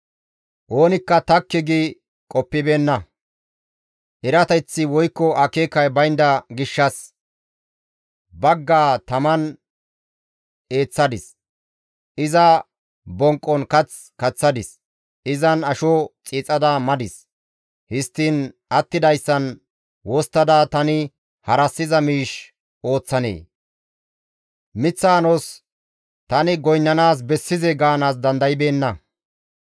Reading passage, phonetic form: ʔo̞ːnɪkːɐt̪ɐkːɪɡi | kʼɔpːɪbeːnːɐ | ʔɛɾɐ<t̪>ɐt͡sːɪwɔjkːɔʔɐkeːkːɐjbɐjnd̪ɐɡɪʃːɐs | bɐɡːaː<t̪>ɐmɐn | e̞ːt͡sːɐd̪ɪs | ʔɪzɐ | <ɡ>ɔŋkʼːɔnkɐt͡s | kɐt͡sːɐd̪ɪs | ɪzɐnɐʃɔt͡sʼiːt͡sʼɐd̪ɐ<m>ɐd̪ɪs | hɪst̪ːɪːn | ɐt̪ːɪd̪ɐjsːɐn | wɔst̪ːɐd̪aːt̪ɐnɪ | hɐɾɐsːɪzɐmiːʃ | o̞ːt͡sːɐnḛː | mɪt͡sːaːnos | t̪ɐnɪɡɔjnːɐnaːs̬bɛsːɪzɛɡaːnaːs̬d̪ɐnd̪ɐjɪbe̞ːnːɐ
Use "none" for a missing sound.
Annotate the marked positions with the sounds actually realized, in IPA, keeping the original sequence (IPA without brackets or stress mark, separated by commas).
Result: t̪, t̪, b, m